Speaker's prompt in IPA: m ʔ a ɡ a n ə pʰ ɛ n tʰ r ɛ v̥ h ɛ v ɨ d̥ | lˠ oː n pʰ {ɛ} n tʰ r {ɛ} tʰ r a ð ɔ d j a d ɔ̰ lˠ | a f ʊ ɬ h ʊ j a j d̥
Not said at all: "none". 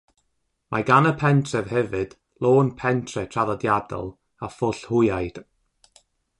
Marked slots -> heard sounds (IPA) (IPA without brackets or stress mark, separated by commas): ɛ, ɛ